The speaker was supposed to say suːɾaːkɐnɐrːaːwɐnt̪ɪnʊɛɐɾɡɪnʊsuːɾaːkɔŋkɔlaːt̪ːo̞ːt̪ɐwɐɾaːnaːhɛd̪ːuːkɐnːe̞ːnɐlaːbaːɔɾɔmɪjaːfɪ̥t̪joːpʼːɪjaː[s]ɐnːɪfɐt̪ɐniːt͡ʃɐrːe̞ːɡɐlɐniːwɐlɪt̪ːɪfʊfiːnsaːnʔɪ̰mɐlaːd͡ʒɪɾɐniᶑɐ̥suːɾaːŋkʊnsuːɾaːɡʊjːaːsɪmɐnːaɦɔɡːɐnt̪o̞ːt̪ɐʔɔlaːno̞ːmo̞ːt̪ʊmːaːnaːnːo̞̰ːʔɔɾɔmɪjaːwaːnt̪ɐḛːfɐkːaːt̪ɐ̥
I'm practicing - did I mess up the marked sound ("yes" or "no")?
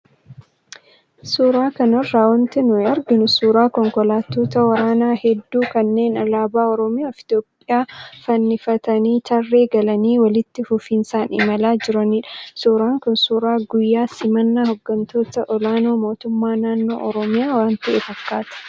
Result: yes